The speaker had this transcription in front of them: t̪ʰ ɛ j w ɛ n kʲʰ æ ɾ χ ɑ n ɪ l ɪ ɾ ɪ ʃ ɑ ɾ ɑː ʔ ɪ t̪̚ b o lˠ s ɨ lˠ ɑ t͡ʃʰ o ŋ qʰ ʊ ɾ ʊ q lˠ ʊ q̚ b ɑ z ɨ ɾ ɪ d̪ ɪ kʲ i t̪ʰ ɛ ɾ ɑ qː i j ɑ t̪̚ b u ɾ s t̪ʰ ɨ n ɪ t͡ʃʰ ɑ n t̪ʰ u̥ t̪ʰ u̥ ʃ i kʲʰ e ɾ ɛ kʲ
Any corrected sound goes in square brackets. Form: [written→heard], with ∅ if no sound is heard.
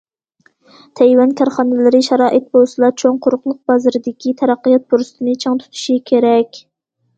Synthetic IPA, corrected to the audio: t̪ʰ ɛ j w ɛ n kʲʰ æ ɾ χ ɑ n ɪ l ɪ ɾ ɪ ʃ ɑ ɾ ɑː ʔ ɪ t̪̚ b o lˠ s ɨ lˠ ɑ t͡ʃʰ o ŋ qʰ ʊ ɾ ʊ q lˠ ʊ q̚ b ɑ z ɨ ɾ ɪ d̪ ɪ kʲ i t̪ʰ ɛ ɾ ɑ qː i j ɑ t̪̚ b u ɾ s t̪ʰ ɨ n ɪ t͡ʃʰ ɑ [n→ŋ] t̪ʰ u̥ t̪ʰ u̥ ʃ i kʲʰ e ɾ ɛ kʲ